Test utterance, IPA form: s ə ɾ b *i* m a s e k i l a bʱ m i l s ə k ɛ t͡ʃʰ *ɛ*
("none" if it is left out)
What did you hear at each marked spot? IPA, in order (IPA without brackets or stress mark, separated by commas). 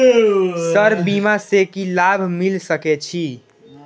i, i